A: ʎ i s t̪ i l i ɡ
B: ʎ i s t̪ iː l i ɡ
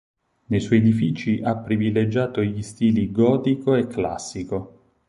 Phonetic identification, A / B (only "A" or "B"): B